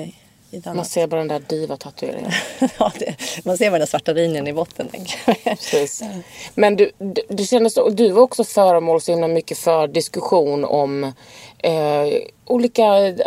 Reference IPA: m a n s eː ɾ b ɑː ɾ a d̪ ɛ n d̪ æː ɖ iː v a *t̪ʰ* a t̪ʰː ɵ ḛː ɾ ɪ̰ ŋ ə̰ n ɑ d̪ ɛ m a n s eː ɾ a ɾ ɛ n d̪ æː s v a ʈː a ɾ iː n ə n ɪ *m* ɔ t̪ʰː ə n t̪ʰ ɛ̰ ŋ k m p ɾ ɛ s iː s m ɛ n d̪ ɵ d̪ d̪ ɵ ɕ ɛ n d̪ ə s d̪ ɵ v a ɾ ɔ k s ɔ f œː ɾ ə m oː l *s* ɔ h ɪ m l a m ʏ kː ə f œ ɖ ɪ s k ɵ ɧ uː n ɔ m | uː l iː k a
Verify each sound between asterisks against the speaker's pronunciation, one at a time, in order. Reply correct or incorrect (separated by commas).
correct, incorrect, correct